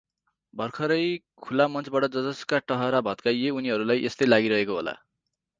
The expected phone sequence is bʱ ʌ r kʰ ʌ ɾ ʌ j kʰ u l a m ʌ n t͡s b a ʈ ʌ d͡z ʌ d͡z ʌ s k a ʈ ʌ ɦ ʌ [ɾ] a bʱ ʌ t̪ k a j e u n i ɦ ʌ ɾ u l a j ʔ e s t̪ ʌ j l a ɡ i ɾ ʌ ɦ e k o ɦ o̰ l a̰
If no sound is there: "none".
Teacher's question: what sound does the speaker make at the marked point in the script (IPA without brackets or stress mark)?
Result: ɾ